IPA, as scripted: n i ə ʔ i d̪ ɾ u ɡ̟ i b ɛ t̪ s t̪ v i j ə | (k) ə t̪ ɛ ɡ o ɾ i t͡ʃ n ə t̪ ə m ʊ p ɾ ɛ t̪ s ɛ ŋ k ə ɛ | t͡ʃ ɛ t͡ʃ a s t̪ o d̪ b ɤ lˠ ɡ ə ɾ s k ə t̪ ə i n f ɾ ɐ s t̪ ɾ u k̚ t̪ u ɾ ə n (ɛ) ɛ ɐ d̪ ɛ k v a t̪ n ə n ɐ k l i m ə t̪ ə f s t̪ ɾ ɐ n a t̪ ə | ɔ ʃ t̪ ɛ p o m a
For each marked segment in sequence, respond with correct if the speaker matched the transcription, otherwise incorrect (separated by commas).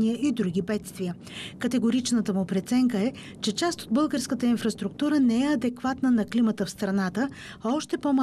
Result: correct, correct